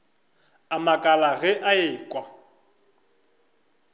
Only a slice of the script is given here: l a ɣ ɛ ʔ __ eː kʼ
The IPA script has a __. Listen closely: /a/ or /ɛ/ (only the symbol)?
a